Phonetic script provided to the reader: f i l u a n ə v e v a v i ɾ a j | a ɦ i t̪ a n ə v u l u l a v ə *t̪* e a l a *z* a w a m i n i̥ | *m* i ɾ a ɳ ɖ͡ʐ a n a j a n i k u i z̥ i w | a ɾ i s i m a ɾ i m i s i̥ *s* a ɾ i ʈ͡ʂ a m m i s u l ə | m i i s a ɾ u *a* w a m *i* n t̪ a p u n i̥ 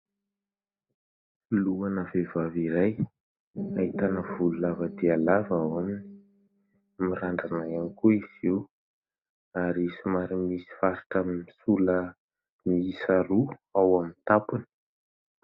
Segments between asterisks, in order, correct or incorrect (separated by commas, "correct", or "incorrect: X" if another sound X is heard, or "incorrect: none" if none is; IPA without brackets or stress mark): incorrect: d̪, incorrect: v, correct, incorrect: f, correct, correct